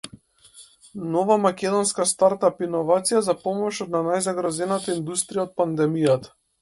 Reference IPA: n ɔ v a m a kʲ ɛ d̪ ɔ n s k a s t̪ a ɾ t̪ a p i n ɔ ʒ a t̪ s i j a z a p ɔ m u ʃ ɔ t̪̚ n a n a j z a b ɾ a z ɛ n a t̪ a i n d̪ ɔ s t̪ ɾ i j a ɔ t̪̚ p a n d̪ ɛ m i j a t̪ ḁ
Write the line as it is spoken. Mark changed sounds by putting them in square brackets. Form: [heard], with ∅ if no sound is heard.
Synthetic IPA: n ɔ v a m a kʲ ɛ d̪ ɔ n s k a s t̪ a ɾ t̪ a p i n ɔ [v] a t̪ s i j a z a p ɔ m [ɔ] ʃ ɔ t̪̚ n a n a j z a [ɡ] ɾ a z ɛ n a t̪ a i n d̪ [u] s t̪ ɾ i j a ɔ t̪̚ p a n d̪ ɛ m i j a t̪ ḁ